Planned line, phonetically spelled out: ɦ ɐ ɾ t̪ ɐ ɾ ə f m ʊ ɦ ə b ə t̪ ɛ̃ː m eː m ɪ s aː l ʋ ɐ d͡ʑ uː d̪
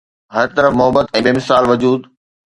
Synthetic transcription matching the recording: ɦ ɐ ɾ t̪ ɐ ɾ ə f m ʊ ɦ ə b ə t̪ ɛ̃ː b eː m ɪ s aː l ʋ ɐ d͡ʑ uː d̪